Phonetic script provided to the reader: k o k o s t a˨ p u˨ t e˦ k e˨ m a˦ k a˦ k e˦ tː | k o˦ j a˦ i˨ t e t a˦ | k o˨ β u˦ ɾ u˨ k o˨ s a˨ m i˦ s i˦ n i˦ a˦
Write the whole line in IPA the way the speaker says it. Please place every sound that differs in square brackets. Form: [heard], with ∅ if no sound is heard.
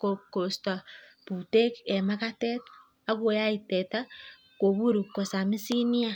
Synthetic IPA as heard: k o k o s t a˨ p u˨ t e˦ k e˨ m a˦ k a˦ [t] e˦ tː | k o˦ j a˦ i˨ t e t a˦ | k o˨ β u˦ ɾ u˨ k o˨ s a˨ m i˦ s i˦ n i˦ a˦